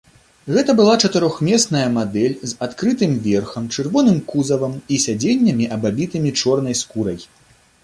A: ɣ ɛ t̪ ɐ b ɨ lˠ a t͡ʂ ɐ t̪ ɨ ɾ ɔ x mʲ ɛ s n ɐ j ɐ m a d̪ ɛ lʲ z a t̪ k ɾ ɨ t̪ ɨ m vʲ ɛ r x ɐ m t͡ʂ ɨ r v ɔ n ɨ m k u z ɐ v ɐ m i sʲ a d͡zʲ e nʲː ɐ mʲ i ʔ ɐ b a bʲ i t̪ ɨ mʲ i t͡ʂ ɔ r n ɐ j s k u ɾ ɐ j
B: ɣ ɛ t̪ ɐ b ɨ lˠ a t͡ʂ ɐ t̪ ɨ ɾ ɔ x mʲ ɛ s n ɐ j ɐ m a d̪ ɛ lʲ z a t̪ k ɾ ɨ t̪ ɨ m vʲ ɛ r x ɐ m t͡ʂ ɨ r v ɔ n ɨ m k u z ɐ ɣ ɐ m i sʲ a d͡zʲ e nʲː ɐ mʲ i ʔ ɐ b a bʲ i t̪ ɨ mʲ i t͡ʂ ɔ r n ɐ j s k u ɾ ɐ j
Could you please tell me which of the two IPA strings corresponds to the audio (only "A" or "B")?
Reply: A